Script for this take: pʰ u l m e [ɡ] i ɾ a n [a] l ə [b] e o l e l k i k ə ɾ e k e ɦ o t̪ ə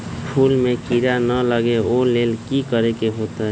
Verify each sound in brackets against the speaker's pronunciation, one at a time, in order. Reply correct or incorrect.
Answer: incorrect, incorrect, incorrect

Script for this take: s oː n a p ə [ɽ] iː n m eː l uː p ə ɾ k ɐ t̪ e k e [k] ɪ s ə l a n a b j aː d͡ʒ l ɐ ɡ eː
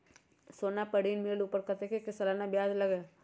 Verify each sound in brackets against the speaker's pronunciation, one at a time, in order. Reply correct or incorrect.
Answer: correct, correct

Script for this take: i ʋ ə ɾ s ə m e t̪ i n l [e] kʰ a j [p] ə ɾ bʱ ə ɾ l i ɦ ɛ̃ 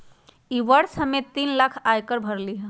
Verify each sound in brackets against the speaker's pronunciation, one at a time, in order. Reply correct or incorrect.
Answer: incorrect, incorrect

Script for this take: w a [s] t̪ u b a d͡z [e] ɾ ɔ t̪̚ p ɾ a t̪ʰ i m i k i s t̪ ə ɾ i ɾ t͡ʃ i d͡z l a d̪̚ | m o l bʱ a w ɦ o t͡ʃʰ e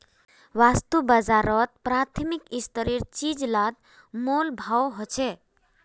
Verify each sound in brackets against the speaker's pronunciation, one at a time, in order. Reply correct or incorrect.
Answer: correct, incorrect

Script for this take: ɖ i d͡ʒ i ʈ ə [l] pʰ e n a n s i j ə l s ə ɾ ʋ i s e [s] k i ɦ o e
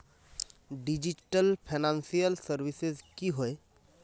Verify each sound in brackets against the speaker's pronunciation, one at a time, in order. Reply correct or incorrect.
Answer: correct, incorrect

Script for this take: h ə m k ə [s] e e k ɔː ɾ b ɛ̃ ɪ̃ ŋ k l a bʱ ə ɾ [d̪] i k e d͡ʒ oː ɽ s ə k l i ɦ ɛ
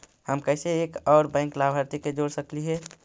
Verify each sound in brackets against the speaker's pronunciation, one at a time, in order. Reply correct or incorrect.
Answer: correct, incorrect

